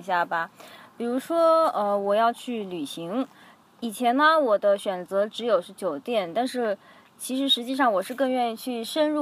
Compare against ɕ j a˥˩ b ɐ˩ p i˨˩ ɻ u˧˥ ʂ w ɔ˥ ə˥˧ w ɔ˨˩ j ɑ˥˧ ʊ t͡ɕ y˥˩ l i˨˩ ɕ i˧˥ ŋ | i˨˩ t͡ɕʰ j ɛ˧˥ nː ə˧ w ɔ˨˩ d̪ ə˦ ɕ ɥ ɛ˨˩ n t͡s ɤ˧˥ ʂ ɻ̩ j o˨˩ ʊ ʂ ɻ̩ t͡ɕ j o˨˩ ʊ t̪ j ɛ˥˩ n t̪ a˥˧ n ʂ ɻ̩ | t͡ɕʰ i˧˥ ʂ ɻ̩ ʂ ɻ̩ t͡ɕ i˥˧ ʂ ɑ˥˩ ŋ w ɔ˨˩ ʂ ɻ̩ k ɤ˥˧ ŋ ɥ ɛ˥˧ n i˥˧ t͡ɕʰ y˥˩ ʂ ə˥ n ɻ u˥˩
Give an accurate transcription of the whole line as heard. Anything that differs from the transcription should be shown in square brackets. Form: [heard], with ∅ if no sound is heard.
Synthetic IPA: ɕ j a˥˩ b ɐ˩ p i˨˩ ɻ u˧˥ ʂ w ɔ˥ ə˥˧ w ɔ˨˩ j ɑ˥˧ ʊ [t͡ɕʰ] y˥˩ l [y˨˩] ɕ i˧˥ ŋ | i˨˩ t͡ɕʰ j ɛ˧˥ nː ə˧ w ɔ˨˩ d̪ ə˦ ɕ ɥ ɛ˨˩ n t͡s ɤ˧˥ [ʈ͡ʂ] ɻ̩ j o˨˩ ʊ ʂ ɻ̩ t͡ɕ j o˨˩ ʊ t̪ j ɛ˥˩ n t̪ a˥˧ n ʂ ɻ̩ | t͡ɕʰ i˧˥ ʂ ɻ̩ ʂ ɻ̩ t͡ɕ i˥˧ ʂ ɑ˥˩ ŋ w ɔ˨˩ ʂ ɻ̩ k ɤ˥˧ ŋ ɥ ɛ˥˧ n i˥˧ t͡ɕʰ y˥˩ ʂ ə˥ n ɻ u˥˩